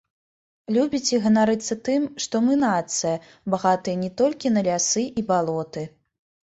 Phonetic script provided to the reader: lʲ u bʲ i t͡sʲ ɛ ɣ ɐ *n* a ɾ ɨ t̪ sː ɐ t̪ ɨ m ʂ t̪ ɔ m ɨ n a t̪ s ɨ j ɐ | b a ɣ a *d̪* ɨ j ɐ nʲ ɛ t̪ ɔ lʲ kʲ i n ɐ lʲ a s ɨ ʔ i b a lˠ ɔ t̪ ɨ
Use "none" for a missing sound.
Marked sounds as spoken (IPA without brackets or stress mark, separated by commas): n, t̪